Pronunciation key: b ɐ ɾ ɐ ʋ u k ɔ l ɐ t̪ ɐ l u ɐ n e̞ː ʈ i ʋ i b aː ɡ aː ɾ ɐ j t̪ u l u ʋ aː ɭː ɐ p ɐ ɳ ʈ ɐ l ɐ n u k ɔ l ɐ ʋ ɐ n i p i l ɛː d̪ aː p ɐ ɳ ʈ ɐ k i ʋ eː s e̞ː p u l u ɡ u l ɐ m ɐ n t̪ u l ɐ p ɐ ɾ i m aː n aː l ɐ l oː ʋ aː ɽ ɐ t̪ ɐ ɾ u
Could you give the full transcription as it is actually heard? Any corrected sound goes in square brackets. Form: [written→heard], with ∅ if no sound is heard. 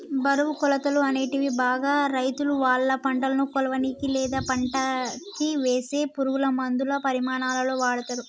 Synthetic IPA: b ɐ ɾ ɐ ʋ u k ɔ l ɐ t̪ ɐ l u ɐ n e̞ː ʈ i ʋ i b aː ɡ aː ɾ ɐ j t̪ u l u ʋ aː ɭː ɐ p ɐ ɳ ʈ ɐ l ɐ n u k ɔ l ɐ ʋ ɐ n i [p→k] i l ɛː d̪ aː p ɐ ɳ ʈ ɐ k i ʋ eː s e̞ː p u [l→ɾ] u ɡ u l ɐ m ɐ n [t̪→d̪] u l ɐ p ɐ ɾ i m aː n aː l ɐ l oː ʋ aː ɽ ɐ t̪ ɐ ɾ u